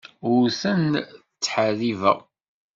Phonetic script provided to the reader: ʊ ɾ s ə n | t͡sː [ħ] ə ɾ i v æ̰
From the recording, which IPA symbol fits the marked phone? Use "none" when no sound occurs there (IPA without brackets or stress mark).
ħ